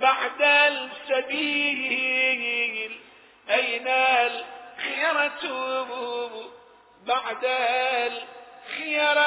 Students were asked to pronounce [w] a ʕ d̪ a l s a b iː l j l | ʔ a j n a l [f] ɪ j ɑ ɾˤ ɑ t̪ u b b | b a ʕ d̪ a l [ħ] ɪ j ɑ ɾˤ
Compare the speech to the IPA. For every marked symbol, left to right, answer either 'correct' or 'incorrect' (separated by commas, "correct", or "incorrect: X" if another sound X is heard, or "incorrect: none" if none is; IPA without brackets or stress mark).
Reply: incorrect: b, incorrect: x, incorrect: x